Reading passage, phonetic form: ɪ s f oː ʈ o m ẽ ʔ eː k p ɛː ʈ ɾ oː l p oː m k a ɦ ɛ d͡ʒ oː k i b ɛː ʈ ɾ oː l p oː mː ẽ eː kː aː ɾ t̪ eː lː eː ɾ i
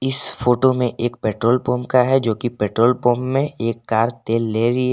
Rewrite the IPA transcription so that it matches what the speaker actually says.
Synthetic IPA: ɪ s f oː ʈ o m ẽ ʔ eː k p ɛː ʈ ɾ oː l p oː m k a ɦ ɛ d͡ʒ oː k i p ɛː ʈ ɾ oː l p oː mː ẽ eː kː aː ɾ t̪ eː lː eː ɾ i